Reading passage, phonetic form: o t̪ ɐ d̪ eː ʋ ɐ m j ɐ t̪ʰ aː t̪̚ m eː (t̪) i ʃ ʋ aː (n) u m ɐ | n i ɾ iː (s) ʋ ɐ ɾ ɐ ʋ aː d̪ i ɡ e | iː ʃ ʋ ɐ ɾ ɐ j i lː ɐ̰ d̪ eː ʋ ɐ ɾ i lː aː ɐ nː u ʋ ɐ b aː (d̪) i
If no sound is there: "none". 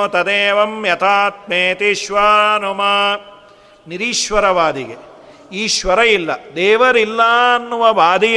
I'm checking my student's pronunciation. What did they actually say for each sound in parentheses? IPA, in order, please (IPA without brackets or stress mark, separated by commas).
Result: t̪, n, ʃ, d̪